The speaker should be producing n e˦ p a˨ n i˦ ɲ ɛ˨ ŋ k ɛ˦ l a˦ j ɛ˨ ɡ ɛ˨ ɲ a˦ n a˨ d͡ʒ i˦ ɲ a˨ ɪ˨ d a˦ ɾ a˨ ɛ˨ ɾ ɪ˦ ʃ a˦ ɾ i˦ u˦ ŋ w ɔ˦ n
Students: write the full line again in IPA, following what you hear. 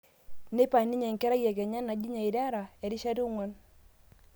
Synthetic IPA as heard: n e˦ p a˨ n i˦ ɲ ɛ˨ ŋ k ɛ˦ ɾ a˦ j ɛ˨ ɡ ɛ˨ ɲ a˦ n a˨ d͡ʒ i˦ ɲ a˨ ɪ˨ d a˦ ɾ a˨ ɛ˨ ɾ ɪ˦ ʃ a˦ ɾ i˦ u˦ ŋ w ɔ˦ n